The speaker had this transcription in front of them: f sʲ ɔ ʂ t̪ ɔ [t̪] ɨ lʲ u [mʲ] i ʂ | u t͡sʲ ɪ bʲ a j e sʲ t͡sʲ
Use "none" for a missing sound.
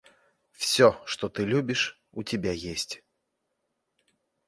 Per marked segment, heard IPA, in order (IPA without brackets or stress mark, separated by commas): t̪, bʲ